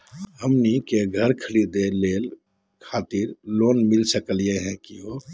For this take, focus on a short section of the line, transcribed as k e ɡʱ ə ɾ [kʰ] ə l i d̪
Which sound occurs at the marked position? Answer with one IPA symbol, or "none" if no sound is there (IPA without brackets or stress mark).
kʰ